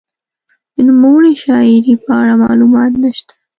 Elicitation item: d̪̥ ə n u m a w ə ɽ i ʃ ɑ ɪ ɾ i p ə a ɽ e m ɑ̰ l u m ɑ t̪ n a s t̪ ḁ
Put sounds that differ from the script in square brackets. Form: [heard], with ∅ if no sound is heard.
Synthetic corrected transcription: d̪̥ ə n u m a w ə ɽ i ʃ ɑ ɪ ɾ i p ə a ɽ [a] m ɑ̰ l u m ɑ t̪ n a [ʃ] t̪ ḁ